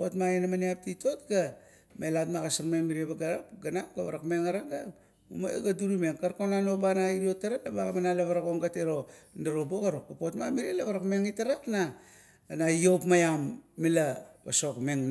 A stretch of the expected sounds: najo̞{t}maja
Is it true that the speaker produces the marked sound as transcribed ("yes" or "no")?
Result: no